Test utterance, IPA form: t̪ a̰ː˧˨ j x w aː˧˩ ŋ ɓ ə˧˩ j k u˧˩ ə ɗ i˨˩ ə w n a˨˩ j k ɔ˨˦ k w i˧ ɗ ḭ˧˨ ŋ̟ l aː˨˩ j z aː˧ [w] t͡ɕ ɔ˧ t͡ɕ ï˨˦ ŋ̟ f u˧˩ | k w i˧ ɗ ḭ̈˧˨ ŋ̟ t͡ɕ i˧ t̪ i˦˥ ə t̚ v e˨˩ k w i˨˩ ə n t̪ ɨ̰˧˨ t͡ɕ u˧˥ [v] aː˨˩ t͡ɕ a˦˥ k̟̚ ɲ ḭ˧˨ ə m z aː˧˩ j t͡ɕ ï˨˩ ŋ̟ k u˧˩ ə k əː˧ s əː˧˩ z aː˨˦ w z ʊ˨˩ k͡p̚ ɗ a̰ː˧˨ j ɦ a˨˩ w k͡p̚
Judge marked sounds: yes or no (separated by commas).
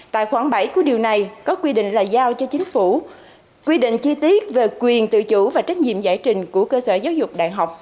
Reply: yes, yes